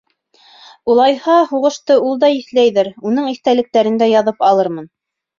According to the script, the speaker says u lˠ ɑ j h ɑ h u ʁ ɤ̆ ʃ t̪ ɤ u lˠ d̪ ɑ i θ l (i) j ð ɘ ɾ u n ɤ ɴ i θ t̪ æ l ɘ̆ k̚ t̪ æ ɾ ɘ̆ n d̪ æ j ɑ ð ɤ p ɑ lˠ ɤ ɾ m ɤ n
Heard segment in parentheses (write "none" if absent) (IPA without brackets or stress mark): æ